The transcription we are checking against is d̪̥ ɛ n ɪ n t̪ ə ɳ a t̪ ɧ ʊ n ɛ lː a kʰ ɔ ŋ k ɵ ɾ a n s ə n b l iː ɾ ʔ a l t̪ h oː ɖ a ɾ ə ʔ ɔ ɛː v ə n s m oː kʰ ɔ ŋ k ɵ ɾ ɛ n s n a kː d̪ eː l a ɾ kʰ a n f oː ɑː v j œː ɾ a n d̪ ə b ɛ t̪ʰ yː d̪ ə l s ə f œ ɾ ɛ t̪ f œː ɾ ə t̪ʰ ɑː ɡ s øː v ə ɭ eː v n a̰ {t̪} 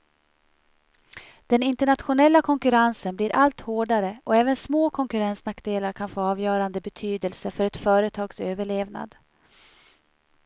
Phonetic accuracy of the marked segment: incorrect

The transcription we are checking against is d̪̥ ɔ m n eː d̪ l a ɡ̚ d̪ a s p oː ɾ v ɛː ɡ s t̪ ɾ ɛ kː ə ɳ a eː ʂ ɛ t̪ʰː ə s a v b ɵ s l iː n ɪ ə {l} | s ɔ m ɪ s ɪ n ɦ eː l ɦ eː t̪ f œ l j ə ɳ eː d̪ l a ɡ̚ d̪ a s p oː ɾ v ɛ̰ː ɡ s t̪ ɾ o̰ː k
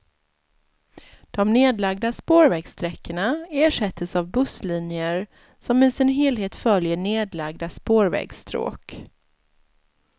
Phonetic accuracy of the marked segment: incorrect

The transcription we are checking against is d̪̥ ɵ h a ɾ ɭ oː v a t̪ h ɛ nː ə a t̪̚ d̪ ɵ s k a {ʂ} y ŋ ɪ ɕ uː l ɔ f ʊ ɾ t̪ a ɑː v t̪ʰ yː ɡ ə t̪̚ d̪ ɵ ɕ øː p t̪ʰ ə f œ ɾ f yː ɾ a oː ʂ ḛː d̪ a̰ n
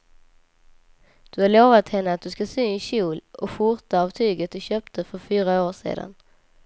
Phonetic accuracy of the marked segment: incorrect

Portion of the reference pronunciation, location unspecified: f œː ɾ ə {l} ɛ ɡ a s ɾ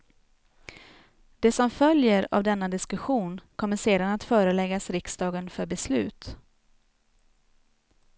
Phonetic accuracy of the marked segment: correct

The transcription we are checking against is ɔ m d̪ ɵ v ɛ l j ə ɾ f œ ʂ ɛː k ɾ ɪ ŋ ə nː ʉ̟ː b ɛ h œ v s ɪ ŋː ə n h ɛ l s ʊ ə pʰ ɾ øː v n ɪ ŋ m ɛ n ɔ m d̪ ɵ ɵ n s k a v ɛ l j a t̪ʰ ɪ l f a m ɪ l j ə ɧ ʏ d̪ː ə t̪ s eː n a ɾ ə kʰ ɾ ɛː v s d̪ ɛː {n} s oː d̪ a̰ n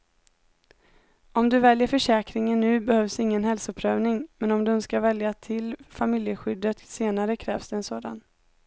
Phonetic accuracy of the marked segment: correct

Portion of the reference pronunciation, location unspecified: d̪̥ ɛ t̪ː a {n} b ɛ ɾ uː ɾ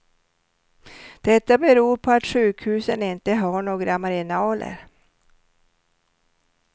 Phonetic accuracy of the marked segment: incorrect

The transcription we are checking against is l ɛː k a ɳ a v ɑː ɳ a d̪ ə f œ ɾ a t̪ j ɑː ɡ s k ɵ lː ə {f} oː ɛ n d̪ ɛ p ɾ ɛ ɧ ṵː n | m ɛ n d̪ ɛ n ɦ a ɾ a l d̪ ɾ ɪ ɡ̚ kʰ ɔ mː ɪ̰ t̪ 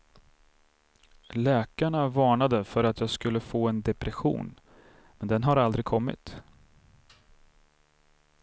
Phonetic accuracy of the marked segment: correct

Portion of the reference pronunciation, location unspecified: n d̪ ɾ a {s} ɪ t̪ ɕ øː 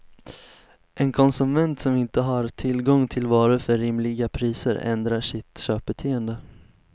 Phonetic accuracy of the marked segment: incorrect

